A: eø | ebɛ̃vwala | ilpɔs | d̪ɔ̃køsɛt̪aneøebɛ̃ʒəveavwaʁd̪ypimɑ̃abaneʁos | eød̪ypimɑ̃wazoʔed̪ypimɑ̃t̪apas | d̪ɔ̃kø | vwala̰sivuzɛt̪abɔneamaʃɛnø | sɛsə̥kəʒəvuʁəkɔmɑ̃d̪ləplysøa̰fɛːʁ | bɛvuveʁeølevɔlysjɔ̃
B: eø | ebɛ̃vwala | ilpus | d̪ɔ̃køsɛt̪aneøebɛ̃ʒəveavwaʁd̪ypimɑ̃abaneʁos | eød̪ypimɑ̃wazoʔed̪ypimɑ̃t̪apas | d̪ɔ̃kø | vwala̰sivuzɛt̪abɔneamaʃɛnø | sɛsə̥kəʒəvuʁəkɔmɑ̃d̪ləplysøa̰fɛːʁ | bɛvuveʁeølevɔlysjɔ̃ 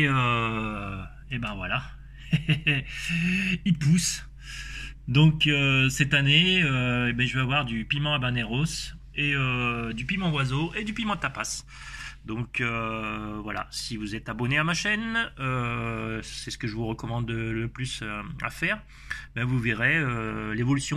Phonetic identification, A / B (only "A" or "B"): B